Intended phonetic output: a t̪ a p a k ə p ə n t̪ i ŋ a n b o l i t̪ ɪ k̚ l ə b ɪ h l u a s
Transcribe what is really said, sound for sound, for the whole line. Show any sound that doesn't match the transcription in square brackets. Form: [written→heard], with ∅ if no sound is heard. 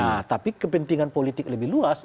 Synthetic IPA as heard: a t̪ a p [a→i] k ə p ə n t̪ i ŋ a n [b→p] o l i t̪ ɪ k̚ l ə b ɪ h l u a s